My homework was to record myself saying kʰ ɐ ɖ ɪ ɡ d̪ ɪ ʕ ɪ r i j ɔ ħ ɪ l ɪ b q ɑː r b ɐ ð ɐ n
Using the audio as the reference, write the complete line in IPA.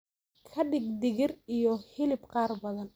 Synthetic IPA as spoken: kʰ ɐ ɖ ɪ ɡ d̪ ɪ ɣ ɪ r i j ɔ h ɪ l ɪ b q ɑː r b ɐ ð ɐ n